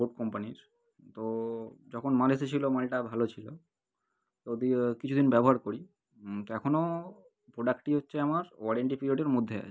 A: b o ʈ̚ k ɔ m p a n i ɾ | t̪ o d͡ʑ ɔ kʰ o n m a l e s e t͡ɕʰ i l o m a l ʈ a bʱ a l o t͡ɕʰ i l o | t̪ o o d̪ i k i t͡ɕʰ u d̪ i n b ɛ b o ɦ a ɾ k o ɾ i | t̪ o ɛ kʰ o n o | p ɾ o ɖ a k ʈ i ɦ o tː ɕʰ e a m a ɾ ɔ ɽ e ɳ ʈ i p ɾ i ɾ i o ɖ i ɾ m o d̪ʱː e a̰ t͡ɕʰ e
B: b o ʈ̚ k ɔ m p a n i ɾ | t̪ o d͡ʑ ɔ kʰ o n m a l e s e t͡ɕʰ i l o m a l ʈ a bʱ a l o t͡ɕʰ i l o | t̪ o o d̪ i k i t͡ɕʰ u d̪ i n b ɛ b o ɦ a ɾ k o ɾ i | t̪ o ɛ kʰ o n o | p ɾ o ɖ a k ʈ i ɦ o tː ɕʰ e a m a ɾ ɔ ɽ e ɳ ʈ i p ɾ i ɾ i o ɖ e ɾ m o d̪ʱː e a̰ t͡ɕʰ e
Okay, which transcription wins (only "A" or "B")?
B